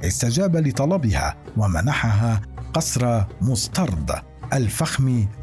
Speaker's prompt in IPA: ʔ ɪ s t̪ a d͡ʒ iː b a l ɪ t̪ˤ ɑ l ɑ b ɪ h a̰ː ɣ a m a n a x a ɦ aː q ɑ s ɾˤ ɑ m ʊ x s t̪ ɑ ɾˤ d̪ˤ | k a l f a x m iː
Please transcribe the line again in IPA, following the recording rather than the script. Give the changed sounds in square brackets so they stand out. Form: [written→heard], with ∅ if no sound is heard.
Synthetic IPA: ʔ ɪ s t̪ a d͡ʒ [iː→aː] b a l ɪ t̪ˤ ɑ l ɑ b ɪ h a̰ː [ɣ→w] a m a n a [x→ħ] a ɦ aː q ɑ s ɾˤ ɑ m ʊ [x→∅] s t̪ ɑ ɾˤ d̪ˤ | [k→ʔ] a l f a x m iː